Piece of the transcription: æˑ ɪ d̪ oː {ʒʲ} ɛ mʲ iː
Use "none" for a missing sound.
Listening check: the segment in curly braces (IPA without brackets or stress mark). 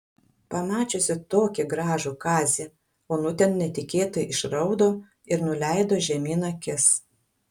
ʒʲ